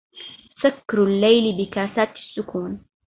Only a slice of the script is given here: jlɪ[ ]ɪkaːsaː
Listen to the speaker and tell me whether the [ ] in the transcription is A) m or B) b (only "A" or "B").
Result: B